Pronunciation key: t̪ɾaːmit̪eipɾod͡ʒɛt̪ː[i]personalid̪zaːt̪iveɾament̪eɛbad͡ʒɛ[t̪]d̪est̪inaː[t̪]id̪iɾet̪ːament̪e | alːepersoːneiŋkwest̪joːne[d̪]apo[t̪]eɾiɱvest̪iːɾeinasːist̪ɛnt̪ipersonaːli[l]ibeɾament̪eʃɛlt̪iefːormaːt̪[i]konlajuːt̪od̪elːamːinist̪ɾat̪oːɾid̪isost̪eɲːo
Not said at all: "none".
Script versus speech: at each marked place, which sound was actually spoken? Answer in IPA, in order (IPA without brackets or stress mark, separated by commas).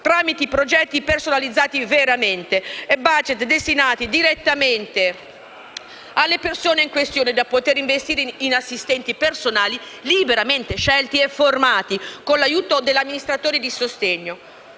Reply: i, t̪, t̪, d̪, t̪, l, i